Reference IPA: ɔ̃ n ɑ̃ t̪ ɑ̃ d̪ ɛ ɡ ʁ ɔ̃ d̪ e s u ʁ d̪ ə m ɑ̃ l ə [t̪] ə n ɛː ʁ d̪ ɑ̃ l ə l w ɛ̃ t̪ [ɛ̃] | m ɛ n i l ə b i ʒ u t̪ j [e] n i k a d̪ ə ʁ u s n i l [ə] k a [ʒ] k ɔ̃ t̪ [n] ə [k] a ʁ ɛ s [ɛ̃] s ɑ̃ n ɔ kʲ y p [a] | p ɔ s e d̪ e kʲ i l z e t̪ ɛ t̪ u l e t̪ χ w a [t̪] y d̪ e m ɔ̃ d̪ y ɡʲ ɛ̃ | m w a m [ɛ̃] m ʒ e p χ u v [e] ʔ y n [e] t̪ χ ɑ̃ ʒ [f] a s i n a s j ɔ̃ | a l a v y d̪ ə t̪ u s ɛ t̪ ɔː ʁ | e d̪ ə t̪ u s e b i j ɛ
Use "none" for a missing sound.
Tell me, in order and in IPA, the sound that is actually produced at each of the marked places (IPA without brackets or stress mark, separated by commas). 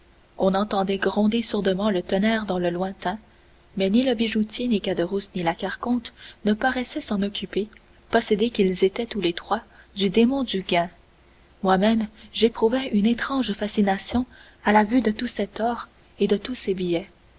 t̪, ɛ̃, e, a, ʁ, n, p, ɛ, e, d̪, ɛ, ɛ, e, f